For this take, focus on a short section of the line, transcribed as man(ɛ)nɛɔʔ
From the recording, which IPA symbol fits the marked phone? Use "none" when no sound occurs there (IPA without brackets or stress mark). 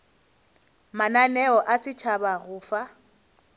a